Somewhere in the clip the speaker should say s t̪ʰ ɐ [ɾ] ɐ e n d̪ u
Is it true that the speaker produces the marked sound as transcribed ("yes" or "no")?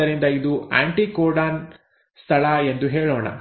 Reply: no